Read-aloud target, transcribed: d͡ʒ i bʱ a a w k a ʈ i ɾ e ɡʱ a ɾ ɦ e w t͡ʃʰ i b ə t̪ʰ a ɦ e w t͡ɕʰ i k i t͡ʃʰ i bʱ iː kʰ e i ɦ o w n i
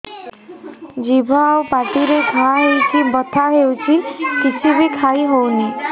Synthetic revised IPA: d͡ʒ i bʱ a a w p a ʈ i ɾ e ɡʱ a ɦ e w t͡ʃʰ i b ə t̪ʰ a ɦ e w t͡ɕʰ i k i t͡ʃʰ i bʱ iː kʰ a i ɦ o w n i